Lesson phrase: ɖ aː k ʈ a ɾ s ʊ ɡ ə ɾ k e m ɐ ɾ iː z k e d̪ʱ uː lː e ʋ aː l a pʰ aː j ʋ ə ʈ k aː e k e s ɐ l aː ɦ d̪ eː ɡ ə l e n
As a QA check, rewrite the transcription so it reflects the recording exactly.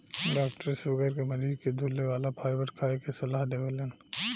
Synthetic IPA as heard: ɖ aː k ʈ ə ɾ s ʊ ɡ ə ɾ k e m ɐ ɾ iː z k e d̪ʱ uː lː e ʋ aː l a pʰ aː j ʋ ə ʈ kʰ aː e k e s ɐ l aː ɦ d̪ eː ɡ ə l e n